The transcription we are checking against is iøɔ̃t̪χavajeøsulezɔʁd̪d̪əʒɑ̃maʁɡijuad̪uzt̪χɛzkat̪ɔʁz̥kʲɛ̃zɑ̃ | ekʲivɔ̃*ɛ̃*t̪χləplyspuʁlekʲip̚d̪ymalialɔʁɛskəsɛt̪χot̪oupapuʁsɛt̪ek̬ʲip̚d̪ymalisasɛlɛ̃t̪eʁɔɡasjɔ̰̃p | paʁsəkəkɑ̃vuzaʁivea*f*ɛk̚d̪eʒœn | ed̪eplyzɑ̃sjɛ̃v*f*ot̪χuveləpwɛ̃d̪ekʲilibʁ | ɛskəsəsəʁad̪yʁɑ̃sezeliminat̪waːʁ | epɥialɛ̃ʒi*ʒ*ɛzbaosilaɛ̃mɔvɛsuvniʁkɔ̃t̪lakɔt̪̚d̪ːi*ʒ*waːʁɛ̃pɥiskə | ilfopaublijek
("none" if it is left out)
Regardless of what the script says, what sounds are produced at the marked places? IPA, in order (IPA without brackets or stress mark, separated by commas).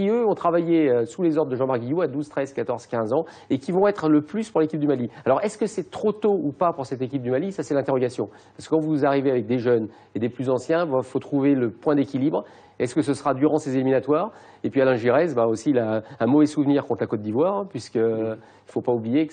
ɛ, v, f, ʁ, v